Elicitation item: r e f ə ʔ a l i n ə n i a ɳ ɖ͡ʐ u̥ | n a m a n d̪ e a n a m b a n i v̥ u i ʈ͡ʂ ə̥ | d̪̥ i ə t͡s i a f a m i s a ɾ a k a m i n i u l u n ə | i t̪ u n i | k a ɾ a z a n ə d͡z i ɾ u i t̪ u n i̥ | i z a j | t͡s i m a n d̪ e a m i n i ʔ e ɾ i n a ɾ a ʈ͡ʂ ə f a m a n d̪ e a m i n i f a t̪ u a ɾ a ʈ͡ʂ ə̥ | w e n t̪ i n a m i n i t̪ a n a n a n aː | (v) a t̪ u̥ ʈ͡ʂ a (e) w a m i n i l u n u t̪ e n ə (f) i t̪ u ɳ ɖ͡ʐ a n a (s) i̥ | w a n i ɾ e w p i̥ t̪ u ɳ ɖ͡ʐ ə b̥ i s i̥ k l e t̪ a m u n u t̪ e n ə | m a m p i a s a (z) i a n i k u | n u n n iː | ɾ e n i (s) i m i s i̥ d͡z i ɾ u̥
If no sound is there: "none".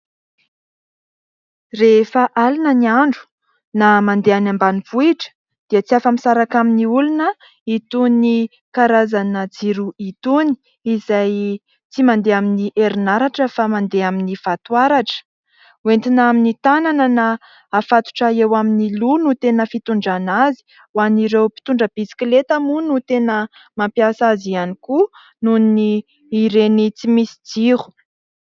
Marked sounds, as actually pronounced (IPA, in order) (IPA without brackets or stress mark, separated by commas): f, e, f, z, z, t͡s